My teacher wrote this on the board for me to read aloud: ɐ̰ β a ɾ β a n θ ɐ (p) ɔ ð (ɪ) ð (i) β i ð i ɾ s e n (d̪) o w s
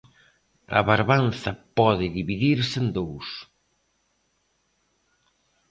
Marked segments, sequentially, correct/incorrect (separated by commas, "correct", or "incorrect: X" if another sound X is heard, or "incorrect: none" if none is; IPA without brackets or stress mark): correct, correct, correct, correct